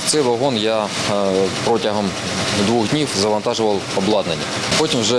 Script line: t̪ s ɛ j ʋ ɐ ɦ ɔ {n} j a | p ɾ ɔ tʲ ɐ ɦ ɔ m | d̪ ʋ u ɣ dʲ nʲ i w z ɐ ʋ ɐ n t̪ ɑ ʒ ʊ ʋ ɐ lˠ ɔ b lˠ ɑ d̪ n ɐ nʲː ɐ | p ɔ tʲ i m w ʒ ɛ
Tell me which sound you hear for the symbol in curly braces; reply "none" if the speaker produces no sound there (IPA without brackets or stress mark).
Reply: n